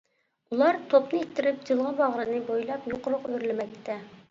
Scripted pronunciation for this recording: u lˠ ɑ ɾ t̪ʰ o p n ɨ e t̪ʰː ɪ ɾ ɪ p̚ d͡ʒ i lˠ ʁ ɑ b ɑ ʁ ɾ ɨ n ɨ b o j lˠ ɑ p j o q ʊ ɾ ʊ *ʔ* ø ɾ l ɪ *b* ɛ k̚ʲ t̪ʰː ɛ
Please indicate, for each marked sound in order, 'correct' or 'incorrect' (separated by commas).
incorrect, incorrect